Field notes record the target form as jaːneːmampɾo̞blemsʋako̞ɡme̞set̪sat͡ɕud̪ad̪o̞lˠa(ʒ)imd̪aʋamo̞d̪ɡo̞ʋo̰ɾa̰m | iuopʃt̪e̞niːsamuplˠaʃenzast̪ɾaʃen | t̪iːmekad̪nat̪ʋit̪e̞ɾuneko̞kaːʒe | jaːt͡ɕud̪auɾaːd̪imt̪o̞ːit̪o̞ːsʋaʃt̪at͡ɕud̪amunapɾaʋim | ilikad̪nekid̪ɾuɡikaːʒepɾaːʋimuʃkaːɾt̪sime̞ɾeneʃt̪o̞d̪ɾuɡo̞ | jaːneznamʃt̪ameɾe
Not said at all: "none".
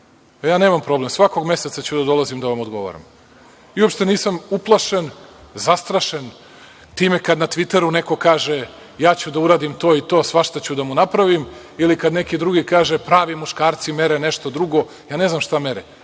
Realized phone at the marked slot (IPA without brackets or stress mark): z